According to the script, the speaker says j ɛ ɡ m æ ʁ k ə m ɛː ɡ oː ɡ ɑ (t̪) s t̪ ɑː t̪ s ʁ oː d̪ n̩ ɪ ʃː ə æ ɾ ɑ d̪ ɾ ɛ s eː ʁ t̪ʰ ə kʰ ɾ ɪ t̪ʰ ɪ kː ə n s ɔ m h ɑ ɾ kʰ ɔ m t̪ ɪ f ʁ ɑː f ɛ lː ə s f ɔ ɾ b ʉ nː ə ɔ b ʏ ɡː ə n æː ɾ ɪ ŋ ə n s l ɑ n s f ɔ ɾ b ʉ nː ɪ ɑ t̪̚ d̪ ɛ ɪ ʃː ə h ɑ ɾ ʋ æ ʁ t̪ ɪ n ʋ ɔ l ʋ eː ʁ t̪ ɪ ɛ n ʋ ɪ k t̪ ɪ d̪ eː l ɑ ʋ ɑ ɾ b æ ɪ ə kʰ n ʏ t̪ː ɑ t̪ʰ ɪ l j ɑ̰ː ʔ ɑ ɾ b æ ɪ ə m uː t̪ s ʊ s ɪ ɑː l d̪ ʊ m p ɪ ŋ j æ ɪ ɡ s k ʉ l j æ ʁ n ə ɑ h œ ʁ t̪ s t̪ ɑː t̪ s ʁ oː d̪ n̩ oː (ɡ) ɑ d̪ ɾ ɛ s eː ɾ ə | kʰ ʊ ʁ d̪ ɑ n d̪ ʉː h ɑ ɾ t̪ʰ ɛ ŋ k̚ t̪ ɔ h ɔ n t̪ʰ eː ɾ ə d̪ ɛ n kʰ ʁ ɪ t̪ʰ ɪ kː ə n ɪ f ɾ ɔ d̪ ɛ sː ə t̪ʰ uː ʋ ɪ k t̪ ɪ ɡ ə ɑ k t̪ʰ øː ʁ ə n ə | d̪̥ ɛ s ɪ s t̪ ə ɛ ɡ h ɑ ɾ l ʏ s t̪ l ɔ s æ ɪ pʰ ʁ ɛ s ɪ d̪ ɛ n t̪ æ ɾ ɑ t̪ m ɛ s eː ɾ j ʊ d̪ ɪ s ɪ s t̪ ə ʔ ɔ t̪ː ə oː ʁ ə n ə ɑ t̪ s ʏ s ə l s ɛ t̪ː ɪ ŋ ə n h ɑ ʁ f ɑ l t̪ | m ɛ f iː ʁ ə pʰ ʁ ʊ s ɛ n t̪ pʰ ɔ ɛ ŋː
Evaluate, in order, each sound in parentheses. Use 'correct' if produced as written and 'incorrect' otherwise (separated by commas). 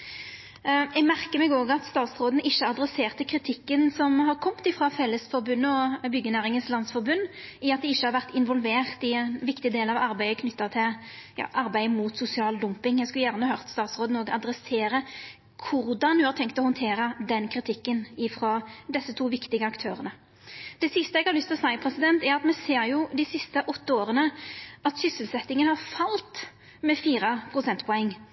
correct, correct